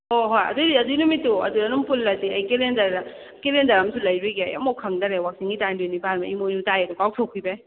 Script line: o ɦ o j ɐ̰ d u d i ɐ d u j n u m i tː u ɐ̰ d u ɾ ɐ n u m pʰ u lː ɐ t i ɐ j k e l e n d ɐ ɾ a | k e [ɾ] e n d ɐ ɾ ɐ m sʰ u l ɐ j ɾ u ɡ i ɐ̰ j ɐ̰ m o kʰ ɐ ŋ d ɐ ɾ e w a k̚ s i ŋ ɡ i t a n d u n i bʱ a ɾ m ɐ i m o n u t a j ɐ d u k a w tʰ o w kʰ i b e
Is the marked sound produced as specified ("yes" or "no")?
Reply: no